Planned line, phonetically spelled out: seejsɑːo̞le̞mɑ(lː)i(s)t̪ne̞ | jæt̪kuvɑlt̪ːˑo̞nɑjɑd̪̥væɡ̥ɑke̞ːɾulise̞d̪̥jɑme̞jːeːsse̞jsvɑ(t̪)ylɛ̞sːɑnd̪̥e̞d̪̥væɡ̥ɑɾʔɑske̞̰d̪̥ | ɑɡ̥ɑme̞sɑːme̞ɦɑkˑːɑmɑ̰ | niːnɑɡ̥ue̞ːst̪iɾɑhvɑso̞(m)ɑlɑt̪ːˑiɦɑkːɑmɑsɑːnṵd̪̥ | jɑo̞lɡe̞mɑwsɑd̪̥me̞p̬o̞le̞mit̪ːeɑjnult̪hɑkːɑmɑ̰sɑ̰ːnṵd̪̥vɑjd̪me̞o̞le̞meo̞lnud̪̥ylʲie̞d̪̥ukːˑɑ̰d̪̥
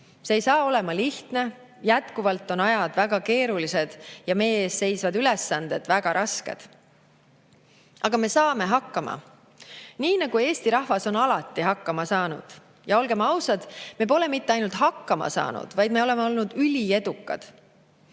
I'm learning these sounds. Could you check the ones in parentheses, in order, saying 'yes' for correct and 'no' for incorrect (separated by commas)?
no, no, no, no